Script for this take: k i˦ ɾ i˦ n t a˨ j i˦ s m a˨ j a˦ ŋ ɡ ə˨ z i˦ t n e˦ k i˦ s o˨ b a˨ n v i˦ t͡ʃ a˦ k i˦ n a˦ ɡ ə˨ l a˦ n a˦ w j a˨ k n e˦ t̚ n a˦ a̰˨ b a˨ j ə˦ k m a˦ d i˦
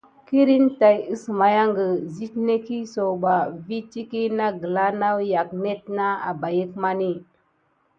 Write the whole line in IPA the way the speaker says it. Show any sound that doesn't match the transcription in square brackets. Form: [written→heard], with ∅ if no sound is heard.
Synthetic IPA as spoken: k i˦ ɾ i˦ n t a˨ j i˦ s m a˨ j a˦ ŋ ɡ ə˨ z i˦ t n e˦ k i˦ s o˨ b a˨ [n→∅] v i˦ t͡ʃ [a˦→i˦] k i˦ n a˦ ɡ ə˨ l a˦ n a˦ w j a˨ k n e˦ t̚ n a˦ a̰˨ b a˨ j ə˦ k m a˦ [d→n] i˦